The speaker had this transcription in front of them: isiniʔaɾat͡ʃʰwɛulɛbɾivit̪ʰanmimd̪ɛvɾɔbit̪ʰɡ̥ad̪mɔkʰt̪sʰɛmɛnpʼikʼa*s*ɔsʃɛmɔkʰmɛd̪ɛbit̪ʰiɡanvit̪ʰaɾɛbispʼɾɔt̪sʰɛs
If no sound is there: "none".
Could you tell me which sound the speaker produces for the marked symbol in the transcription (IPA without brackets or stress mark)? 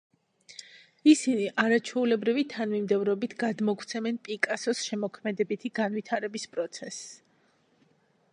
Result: s